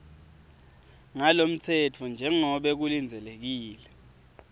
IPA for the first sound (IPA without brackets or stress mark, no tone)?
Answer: ŋ